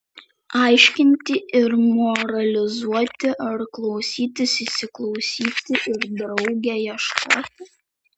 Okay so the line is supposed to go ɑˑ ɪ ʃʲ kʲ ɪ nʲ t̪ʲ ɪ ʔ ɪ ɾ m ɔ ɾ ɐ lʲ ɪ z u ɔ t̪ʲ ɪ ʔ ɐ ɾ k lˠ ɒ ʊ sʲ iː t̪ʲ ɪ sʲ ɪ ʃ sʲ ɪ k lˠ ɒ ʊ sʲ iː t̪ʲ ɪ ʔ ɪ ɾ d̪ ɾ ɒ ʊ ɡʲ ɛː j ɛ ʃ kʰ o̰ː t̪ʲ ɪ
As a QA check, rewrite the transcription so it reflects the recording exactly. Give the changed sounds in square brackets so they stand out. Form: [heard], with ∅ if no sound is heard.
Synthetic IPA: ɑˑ ɪ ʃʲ kʲ ɪ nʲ t̪ʲ ɪ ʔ ɪ ɾ m ɔ ɾ ɐ lʲ ɪ z u ɔ t̪ʲ ɪ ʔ ɐ ɾ k lˠ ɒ ʊ sʲ iː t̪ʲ ɪ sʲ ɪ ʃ sʲ ɪ k lˠ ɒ ʊ sʲ iː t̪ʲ ɪ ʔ ɪ ɾ d̪ ɾ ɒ ʊ ɡʲ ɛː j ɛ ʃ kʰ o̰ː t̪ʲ ɪ